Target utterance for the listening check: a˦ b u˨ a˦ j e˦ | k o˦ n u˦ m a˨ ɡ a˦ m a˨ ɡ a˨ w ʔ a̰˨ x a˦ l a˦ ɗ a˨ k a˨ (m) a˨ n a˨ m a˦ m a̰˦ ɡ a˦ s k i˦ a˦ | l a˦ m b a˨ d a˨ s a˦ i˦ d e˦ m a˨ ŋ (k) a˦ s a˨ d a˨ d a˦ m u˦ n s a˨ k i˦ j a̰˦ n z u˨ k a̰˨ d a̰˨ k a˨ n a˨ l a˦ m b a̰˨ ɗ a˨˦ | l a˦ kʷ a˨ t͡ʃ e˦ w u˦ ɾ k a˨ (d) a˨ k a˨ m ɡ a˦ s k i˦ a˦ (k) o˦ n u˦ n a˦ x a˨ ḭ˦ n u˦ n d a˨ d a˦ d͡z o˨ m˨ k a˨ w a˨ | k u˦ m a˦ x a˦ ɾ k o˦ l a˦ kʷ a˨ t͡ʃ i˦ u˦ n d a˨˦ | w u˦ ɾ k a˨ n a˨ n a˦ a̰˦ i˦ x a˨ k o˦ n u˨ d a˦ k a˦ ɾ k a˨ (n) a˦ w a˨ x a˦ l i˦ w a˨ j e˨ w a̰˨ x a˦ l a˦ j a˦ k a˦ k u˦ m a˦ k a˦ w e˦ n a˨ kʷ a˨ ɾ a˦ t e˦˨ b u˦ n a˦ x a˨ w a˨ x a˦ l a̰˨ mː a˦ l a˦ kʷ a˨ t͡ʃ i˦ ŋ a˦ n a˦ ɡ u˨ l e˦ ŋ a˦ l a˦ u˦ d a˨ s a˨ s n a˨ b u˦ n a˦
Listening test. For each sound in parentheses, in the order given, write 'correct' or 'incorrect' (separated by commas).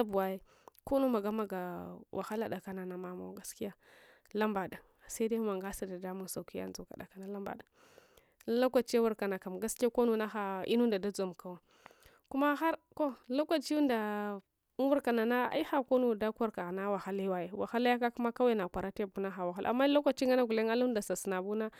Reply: incorrect, incorrect, incorrect, correct, correct